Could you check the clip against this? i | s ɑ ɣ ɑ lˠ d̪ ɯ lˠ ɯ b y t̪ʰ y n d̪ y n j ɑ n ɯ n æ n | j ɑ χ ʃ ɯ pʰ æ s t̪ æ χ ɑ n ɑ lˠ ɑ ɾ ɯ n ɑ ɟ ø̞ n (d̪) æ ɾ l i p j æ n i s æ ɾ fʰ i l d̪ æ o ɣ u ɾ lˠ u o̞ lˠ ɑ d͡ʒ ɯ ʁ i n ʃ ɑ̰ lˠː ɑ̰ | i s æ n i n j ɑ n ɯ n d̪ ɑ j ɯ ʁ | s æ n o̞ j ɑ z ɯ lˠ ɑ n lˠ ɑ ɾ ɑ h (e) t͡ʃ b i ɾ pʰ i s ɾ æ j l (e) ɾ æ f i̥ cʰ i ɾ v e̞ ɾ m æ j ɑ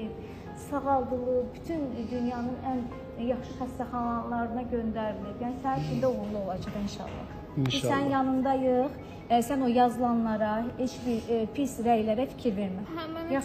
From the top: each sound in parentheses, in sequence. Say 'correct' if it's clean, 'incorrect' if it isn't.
correct, correct, incorrect

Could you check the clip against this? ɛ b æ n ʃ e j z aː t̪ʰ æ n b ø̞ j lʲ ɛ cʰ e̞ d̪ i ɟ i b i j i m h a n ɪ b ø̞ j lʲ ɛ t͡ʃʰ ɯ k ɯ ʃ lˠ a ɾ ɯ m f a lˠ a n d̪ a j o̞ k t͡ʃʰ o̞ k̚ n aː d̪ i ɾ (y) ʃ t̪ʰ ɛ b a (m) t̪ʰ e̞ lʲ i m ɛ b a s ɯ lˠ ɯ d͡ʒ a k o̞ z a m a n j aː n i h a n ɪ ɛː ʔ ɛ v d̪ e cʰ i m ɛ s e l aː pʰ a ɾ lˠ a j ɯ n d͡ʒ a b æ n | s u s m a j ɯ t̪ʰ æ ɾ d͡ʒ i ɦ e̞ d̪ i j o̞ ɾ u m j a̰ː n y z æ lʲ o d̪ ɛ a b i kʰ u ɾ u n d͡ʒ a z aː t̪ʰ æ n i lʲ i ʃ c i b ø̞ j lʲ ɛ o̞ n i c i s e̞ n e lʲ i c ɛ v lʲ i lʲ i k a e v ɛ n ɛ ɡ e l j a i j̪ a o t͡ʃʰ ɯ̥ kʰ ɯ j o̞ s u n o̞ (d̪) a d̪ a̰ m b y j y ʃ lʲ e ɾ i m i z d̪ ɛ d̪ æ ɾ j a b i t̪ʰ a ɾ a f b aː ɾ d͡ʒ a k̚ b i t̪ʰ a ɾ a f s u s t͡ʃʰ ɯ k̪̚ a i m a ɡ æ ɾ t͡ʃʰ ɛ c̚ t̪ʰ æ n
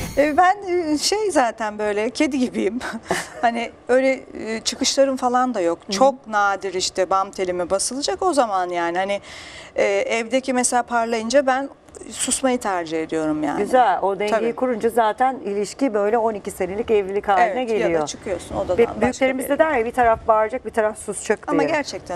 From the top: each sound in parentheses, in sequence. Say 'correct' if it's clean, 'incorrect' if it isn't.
incorrect, correct, correct

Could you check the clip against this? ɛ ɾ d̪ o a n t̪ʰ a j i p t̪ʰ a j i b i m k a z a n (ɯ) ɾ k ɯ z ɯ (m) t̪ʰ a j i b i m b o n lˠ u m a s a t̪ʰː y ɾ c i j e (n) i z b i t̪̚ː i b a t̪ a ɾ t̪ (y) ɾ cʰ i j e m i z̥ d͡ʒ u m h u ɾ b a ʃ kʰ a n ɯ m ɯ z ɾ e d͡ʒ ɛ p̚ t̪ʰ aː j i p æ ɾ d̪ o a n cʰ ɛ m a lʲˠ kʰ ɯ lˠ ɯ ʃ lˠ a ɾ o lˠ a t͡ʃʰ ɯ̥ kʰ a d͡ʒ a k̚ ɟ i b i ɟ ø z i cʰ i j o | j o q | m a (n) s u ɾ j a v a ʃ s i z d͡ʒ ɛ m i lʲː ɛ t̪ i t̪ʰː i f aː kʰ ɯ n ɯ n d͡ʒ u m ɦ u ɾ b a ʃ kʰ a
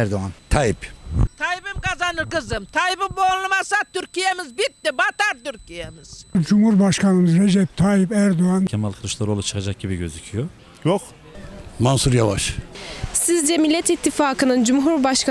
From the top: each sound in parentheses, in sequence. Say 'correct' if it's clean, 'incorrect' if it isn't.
correct, correct, incorrect, correct, correct

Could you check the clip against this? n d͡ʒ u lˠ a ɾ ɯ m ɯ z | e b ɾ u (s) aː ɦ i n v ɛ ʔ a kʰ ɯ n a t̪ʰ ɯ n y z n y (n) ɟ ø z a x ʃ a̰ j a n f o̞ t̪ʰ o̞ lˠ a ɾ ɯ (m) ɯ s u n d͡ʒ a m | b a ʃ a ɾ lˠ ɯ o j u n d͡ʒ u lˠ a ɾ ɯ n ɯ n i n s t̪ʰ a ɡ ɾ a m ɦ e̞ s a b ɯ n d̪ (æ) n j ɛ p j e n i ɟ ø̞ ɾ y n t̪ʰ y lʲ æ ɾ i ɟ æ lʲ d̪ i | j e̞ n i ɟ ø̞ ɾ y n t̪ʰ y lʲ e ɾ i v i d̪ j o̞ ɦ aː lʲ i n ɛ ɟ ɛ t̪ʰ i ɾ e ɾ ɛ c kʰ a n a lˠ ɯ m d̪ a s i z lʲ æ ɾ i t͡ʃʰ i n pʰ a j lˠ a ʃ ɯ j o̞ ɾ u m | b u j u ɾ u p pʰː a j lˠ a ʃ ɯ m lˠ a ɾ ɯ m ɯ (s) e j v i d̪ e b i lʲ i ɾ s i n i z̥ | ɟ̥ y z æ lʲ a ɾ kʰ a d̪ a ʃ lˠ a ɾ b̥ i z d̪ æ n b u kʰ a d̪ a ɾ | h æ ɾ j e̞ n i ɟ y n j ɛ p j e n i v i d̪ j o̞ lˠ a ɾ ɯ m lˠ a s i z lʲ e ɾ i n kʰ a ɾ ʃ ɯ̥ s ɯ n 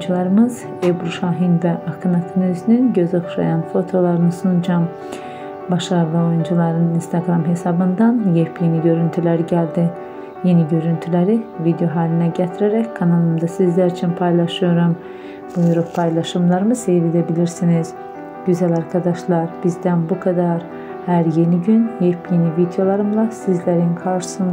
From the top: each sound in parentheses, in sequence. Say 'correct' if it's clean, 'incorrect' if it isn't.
incorrect, correct, incorrect, incorrect, correct

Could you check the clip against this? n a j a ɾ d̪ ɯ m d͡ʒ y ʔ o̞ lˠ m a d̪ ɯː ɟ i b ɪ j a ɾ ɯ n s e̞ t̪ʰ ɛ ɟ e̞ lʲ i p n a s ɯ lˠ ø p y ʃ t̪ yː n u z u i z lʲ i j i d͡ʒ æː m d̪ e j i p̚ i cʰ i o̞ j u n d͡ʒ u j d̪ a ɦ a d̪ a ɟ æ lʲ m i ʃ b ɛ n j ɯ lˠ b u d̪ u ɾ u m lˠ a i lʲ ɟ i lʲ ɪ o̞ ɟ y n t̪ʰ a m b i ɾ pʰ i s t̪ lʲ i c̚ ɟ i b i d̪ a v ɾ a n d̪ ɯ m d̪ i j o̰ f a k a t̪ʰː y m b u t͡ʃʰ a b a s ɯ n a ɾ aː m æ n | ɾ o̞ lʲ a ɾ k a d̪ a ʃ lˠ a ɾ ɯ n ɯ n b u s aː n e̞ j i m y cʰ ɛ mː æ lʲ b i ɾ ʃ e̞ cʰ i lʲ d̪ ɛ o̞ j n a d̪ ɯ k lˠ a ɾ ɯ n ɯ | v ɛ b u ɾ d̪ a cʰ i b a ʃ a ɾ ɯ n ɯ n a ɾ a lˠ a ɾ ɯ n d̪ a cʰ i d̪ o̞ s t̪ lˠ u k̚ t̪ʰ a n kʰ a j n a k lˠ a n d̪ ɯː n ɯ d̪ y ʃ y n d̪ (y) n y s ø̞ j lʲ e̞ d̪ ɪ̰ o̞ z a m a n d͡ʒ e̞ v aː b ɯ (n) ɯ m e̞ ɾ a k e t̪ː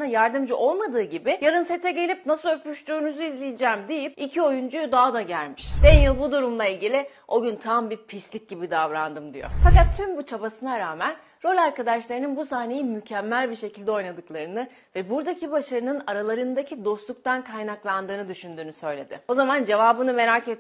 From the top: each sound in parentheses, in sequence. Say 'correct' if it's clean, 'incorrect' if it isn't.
incorrect, correct

